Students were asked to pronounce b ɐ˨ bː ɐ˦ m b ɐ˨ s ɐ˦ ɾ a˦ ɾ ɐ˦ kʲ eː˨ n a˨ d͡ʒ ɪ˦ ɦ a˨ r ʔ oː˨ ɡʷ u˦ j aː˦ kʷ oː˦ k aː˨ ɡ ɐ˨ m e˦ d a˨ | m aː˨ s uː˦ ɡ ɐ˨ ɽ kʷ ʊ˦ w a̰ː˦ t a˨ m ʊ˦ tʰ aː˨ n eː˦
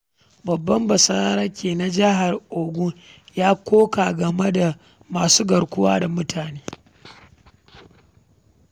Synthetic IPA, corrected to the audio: b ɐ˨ bː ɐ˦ m b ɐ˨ s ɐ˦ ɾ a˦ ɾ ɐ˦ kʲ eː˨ n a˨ d͡ʒ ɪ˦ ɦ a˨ r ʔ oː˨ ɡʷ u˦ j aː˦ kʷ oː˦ k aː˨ ɡ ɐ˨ m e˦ d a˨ | m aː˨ s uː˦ ɡ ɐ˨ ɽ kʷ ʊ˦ w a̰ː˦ d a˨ m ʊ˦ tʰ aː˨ n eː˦

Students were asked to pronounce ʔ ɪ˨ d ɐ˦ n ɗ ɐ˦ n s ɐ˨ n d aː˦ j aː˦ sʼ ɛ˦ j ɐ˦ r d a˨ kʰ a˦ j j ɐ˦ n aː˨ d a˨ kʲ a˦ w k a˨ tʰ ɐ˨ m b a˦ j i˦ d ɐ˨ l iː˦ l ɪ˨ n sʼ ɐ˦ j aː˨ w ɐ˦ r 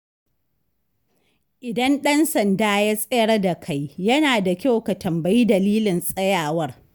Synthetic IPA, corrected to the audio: ʔ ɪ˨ d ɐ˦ n ɗ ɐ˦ n s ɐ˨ n d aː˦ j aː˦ sʼ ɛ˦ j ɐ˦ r d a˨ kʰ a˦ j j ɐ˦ n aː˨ d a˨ kʲ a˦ w k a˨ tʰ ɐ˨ m b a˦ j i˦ d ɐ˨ l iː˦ l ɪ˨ n sʼ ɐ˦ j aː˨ w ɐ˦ r

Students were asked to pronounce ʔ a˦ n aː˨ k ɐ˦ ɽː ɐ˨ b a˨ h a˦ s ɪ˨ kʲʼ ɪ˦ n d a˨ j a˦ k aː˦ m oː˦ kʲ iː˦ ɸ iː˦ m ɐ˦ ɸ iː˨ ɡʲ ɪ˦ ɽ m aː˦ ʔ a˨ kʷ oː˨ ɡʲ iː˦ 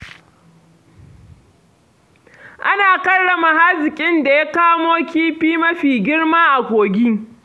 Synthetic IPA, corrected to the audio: ʔ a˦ n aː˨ k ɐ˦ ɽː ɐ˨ m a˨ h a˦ z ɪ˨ kʲʼ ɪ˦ n d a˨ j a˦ k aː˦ m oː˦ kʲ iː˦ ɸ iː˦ m ɐ˦ ɸ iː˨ ɡʲ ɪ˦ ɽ m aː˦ ʔ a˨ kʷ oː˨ ɡʲ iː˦

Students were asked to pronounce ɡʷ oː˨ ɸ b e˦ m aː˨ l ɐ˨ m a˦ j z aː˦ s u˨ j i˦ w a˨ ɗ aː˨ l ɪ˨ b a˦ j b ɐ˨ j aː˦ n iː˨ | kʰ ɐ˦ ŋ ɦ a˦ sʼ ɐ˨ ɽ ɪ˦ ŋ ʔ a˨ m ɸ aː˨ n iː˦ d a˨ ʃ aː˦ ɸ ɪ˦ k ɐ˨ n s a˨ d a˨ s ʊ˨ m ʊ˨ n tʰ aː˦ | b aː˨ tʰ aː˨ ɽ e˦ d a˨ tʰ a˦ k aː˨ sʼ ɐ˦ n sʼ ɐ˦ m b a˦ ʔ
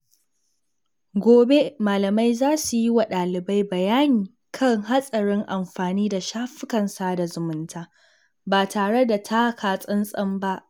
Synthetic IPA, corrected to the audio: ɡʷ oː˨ b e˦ m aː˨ l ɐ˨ m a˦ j z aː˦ s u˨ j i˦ w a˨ ɗ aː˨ l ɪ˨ b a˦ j b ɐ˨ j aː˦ n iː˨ | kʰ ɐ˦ ŋ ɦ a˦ sʼ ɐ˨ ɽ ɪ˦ ŋ ʔ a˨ m ɸ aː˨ n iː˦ d a˨ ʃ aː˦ ɸ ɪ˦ k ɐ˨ n s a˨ d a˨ z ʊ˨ m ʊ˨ n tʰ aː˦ | b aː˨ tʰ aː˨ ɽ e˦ d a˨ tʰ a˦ k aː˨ sʼ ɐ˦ n sʼ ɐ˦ m b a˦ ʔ

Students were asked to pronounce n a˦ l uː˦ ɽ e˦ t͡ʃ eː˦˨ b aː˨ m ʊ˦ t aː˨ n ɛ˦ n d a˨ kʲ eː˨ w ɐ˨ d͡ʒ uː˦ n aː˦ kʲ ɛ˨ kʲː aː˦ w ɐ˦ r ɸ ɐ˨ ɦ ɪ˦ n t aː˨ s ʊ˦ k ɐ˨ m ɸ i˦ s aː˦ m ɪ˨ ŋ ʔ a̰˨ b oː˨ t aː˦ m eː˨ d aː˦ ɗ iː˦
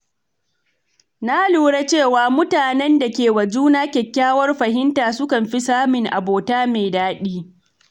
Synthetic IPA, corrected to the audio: n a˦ l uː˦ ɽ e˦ t͡ʃ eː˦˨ w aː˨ m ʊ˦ t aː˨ n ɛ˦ n d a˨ kʲ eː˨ w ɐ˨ d͡ʒ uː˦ n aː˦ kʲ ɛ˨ kʲː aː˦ w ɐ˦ r ɸ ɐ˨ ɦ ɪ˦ n t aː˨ s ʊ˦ k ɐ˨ m ɸ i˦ s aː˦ m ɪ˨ ŋ ʔ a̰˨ b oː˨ t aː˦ m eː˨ d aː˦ ɗ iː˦

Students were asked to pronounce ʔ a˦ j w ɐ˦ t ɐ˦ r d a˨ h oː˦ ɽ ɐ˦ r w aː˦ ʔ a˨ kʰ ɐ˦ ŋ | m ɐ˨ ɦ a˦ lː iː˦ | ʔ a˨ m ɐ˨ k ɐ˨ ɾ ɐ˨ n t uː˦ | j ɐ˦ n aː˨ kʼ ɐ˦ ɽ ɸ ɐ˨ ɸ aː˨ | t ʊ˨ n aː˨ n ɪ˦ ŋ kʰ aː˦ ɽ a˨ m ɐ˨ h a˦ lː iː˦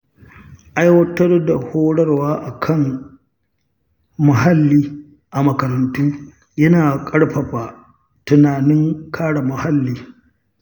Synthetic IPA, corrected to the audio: ʔ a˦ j w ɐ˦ t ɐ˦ r d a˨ h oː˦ ɽ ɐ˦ r w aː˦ ʔ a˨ kʰ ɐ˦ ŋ | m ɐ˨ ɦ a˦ lː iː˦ | ʔ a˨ m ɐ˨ k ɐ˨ ɾ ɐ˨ n t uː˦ | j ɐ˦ n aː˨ kʼ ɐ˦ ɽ ɸ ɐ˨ ɸ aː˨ | t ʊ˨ n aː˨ n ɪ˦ ŋ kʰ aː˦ ɽ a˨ m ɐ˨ h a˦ lː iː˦

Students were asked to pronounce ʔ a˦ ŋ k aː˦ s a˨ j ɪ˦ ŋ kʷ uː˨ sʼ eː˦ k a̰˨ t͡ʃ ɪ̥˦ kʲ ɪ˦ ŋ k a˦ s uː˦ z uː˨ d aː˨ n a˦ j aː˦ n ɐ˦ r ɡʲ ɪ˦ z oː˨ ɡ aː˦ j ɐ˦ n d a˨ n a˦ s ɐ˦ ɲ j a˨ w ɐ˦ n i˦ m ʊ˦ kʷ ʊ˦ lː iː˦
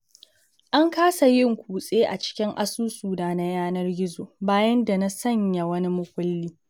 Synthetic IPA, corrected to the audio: ʔ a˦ ŋ k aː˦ s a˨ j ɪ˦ ŋ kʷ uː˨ sʼ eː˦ ʔ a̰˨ t͡ʃ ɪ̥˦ kʲ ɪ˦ ŋ ʔ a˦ s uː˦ s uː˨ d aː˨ n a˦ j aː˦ n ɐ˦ r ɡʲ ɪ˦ z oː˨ b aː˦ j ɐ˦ n d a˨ n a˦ s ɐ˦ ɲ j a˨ w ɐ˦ n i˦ m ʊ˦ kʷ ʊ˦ lː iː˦

